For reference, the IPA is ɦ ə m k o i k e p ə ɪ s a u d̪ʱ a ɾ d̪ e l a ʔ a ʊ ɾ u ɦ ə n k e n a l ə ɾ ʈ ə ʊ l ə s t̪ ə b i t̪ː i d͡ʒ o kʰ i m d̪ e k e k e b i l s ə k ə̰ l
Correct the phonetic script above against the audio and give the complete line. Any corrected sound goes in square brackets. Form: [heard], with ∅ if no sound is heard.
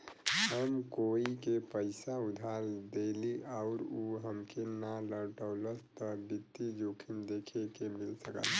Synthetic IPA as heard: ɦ ə m k o i k e p ə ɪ s a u d̪ʱ a ɾ d̪ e l [i] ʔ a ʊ ɾ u ɦ ə [m] k e n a l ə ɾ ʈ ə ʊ l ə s t̪ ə b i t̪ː i d͡ʒ o kʰ i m d̪ e [kʰ] e k e [m] i l s ə k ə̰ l

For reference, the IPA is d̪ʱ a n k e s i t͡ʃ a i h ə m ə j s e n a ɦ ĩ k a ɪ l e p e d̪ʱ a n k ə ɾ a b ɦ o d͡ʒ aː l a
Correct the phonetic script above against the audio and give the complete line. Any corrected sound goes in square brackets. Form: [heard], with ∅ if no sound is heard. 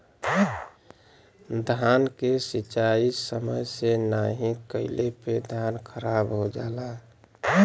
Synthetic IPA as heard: d̪ʱ a n k e s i t͡ʃ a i [s] ə m ə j s e n a ɦ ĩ k [ə] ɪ l e p e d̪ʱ a n [kʰ] ə ɾ a b ɦ o d͡ʒ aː l a

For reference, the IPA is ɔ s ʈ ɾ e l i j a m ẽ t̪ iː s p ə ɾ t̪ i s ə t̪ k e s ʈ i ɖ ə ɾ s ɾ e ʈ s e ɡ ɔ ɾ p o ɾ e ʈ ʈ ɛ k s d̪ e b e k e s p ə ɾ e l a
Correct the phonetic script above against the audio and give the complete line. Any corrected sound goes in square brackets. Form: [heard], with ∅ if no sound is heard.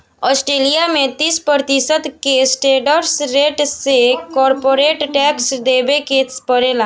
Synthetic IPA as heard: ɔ s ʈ ɾ e l i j a m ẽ t̪ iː s p ə ɾ t̪ i s ə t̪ k e s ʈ [e] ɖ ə ɾ s ɾ e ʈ s e [k] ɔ ɾ p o ɾ e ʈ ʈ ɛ k s d̪ e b e k e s p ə ɾ e l a

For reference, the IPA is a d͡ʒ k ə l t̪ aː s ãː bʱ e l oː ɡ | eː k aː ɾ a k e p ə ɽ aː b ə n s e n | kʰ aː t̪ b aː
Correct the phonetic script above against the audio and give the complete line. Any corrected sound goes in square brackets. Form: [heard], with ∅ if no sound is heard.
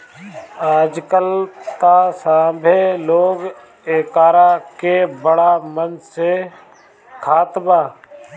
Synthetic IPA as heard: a d͡ʒ k ə l t̪ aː s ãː bʱ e l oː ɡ | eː k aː ɾ a k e [b] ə ɽ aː [m] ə n s e [∅] | kʰ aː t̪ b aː

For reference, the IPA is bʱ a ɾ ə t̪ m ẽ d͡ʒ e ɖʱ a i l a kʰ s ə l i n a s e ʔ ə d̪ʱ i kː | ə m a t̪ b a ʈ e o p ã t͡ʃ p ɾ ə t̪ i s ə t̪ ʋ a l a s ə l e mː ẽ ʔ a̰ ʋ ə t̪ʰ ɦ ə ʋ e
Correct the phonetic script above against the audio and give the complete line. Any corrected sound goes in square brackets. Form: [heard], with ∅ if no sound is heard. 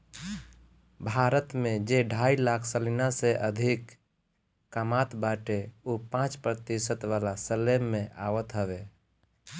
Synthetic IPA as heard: bʱ a ɾ ə t̪ m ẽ d͡ʒ e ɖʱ a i l a kʰ s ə l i n a s e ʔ ə d̪ʱ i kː | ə m a t̪ b a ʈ e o p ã t͡ʃ p ɾ ə t̪ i s ə t̪ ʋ a l a s ə l e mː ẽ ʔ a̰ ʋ ə [t̪] ɦ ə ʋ e

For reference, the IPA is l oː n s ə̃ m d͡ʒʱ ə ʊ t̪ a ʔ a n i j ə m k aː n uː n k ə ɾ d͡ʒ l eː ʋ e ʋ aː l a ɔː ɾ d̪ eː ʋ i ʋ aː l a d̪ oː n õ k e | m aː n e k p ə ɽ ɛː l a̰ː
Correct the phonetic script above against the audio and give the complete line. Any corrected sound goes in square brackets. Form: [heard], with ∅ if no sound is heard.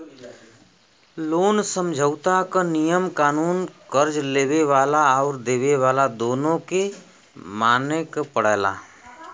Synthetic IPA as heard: l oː n s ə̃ m d͡ʒʱ ə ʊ t̪ a [k] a n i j ə m k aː n uː n k ə ɾ d͡ʒ l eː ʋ e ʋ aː l a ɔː ɾ d̪ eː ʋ [e] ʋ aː l a d̪ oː n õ k e | m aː n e k p ə ɽ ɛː l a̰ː

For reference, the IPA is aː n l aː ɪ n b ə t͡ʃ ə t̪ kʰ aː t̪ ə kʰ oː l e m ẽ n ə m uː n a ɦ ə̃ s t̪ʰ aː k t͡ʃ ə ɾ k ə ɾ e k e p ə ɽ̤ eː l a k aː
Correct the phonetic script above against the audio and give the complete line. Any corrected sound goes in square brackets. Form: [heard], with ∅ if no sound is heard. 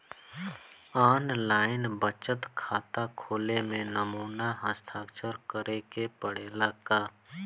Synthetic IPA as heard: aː n l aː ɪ n b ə t͡ʃ ə t̪ kʰ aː t̪ [a] kʰ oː l e m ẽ n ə m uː n a ɦ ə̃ s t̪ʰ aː k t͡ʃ ə ɾ k ə ɾ e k e p ə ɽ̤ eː l a k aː

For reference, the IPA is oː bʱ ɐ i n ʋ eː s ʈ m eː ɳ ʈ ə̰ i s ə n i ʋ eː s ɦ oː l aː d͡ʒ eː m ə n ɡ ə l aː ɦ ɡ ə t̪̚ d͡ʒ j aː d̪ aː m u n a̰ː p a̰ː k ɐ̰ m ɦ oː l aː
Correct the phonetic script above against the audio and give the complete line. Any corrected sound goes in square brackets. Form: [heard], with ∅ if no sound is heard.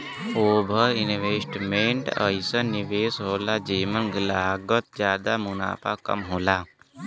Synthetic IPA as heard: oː bʱ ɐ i n ʋ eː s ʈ m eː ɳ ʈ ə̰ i s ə n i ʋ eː s ɦ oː l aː d͡ʒ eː m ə n ɡ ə l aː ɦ ɡ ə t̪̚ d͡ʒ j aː d̪ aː m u n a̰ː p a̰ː k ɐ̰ m ɦ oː l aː

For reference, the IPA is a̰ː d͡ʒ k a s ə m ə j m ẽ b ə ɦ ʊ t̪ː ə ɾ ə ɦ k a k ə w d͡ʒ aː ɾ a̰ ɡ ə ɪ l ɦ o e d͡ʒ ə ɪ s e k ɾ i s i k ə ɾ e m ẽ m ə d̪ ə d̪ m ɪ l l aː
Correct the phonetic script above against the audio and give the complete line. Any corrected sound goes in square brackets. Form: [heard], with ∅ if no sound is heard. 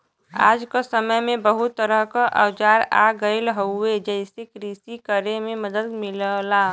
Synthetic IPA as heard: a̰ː d͡ʒ k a s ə m ə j m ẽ b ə ɦ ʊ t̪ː ə ɾ ə ɦ k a [ʔ] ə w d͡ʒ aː ɾ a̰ ɡ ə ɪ l ɦ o e d͡ʒ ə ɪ s e k ɾ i s i k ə ɾ e m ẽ m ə d̪ ə d̪ m ɪ l l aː

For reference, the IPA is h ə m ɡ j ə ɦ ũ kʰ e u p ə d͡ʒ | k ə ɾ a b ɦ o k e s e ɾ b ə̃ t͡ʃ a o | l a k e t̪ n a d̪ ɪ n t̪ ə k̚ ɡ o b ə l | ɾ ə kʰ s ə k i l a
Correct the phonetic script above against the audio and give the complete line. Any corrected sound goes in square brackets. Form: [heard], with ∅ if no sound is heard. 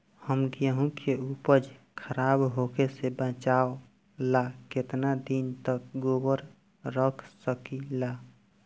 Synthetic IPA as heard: h ə m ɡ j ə ɦ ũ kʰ e u p ə d͡ʒ | [kʰ] ə ɾ a b ɦ o k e s e [∅] b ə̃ t͡ʃ a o | l a k e t̪ n a d̪ [i] n t̪ ə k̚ ɡ o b ə [ɾ] | ɾ ə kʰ s ə k i l a

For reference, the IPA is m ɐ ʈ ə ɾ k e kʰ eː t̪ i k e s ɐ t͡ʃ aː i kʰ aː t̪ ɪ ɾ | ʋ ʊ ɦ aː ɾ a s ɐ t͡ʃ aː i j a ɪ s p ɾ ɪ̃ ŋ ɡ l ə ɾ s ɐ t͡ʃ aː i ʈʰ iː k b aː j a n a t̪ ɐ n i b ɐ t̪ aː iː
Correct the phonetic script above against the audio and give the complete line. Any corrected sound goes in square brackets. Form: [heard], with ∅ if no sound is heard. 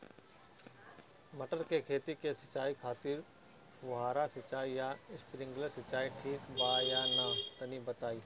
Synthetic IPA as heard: m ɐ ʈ ə ɾ k e kʰ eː t̪ i k e s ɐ t͡ʃ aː i kʰ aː t̪ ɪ ɾ | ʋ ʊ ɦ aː ɾ a s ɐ t͡ʃ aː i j a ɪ s p ɾ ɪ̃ ŋ ɡ l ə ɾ s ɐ t͡ʃ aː i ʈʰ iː k b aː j a n a t̪ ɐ n i b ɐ t̪ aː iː

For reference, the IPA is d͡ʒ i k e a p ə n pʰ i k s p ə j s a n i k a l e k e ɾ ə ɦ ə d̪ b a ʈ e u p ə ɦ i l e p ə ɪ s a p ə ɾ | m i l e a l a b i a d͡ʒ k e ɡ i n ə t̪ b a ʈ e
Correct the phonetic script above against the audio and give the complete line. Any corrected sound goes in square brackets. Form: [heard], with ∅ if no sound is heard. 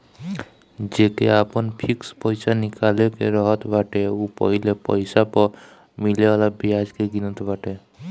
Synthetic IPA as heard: d͡ʒ [e] k e a p ə n pʰ i k s p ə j s a n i k a l e k e ɾ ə ɦ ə [t̪] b a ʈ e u p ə ɦ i l e p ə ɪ s a p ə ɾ | m i l e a l a b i a d͡ʒ k e ɡ i n ə t̪ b a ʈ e

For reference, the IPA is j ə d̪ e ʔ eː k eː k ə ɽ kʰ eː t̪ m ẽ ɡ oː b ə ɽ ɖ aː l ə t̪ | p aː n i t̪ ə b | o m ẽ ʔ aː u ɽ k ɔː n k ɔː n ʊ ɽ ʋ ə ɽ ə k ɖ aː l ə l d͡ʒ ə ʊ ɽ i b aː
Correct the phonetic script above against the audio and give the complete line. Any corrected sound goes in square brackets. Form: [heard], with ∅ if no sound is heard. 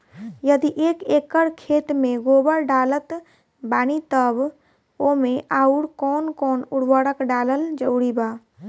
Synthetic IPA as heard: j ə d̪ [i] ʔ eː k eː k ə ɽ kʰ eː t̪ m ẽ ɡ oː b ə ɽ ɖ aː l ə t̪ | [b] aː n i t̪ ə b | o m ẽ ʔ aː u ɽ k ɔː n k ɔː n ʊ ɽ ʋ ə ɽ ə k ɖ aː l ə l d͡ʒ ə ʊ ɽ i b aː

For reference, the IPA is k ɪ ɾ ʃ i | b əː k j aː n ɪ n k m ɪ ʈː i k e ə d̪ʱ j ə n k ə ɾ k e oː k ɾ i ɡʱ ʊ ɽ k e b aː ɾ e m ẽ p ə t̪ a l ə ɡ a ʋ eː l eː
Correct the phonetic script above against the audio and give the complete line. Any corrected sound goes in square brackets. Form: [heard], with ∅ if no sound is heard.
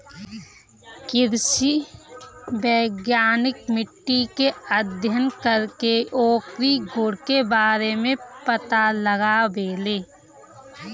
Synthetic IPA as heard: k ɪ ɾ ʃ i | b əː [ɡ] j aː n ɪ [∅] k m ɪ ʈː i k e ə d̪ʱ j ə n k ə ɾ k e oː k ɾ i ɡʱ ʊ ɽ k e b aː ɾ e m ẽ p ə t̪ a l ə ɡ a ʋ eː l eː

